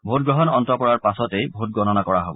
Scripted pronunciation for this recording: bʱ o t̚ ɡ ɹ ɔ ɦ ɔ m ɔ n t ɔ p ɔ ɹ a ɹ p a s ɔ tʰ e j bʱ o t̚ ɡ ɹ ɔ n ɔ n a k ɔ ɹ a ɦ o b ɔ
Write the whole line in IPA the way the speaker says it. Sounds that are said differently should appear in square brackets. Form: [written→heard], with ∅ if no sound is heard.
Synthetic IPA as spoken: bʱ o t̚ ɡ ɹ ɔ ɦ ɔ [m→n] ɔ n t ɔ p ɔ ɹ a ɹ p a s ɔ [tʰ→t] e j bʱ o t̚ ɡ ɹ ɔ n ɔ n a k ɔ ɹ a ɦ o b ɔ